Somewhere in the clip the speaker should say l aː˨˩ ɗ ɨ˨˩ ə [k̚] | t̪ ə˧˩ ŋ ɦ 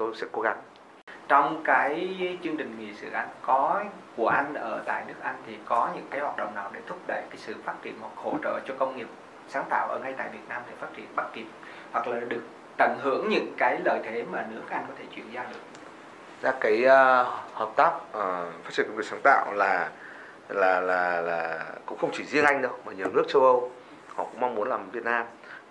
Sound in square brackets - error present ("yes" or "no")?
no